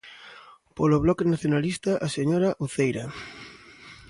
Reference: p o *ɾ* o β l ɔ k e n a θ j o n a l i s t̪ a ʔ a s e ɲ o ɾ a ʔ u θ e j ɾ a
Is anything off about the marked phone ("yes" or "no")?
yes